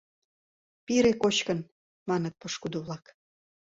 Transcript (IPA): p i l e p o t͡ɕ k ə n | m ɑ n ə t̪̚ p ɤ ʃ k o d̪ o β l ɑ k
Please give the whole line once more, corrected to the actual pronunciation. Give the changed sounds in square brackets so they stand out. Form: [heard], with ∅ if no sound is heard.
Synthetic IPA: p i [ɾ] e [k] o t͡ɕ k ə n | m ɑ n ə t̪̚ p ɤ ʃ k [u] d̪ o β l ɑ k